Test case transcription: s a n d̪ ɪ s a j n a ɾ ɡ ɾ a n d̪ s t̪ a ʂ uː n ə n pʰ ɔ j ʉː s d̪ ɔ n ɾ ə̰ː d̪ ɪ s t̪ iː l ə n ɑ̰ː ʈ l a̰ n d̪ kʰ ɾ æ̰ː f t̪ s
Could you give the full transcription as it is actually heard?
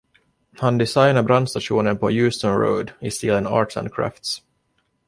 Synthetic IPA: h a n d̪ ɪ s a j n a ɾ b ɾ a n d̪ s t̪ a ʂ uː n ə n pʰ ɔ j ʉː s t̪ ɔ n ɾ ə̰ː d̪ ɪ s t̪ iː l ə n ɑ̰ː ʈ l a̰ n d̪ kʰ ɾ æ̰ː f t̪ s